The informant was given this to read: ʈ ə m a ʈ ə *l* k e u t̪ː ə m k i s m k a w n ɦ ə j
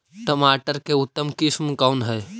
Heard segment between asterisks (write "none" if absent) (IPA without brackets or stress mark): ɾ